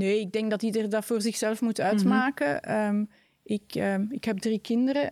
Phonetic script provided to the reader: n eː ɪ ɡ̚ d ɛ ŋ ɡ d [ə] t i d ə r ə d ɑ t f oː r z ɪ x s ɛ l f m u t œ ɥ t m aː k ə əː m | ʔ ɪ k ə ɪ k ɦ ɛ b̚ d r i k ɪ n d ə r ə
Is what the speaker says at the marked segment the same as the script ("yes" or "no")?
no